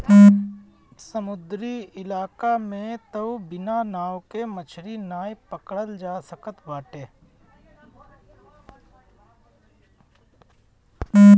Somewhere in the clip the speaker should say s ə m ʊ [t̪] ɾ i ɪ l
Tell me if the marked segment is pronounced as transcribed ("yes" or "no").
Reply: no